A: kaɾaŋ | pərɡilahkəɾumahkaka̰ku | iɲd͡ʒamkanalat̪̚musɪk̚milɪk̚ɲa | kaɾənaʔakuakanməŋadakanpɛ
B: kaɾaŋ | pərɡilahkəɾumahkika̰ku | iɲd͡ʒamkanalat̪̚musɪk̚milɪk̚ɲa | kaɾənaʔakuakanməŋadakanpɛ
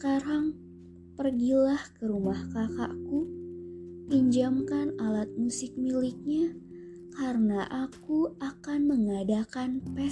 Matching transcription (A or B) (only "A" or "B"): A